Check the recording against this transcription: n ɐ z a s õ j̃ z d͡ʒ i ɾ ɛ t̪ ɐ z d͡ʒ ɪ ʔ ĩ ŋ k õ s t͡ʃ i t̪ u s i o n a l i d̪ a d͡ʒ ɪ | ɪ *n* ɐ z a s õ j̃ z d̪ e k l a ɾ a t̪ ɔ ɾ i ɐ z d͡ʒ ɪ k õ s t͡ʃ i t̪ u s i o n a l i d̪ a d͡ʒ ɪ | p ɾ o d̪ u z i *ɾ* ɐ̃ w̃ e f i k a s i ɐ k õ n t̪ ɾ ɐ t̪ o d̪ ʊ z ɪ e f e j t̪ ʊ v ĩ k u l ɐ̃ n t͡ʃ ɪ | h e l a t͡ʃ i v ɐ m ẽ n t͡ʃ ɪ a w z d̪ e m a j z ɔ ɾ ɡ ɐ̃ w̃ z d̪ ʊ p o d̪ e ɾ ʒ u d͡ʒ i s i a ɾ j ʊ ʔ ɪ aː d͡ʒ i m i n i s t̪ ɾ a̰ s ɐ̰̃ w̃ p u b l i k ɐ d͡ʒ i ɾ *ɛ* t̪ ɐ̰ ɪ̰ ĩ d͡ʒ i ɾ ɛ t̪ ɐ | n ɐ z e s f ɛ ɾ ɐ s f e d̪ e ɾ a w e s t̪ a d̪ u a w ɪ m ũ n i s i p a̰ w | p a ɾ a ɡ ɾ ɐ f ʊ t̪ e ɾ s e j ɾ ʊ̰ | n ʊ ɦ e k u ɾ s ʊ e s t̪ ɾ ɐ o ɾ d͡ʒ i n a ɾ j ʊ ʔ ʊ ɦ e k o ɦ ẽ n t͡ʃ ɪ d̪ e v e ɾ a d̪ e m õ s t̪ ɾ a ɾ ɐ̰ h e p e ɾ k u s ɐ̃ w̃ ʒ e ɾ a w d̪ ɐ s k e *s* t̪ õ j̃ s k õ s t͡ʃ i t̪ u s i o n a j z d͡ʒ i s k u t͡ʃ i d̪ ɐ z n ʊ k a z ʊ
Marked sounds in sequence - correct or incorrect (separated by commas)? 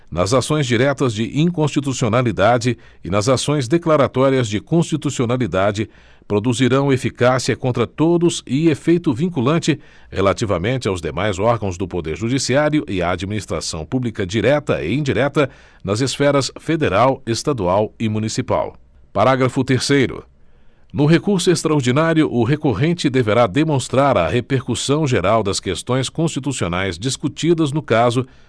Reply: correct, correct, correct, correct